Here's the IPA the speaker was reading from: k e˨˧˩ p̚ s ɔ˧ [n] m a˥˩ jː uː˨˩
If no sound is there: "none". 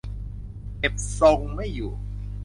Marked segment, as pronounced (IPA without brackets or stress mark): ŋ